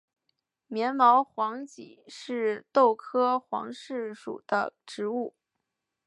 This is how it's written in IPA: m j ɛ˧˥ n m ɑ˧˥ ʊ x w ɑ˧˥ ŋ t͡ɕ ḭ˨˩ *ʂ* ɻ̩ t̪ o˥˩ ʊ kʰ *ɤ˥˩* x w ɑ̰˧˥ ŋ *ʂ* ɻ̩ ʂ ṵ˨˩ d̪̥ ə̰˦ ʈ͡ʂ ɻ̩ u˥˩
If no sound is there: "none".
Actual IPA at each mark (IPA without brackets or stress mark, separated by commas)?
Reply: ʂ, ɤ˥, ʂ